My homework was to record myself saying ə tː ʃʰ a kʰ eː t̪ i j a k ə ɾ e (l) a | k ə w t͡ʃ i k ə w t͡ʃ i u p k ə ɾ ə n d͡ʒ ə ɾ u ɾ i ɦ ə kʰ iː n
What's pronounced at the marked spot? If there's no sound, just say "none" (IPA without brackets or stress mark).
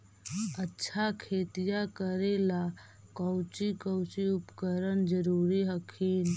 l